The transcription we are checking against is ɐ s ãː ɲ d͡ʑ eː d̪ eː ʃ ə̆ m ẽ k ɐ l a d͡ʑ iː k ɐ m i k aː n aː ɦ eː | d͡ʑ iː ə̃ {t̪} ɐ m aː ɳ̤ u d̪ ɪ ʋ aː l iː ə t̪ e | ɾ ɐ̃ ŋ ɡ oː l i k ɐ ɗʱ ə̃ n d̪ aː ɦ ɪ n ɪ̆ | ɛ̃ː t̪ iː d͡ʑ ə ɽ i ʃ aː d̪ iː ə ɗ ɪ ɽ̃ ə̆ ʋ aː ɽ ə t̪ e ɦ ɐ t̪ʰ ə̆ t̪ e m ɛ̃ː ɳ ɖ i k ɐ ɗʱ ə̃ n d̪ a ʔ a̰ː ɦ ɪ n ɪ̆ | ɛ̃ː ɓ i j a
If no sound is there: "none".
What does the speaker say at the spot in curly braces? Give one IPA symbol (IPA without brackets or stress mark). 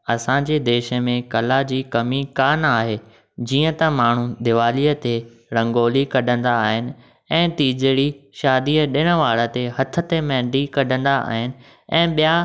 t̪